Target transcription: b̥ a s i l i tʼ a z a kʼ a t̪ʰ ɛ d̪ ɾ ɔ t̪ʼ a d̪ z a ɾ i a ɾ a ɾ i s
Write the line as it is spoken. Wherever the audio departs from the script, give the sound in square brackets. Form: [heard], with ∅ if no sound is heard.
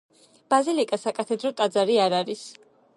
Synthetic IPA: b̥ a [z] i l i [kʼ] a [s] a kʼ a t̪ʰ ɛ d̪ ɾ ɔ t̪ʼ a d̪ z a ɾ i a ɾ a ɾ i s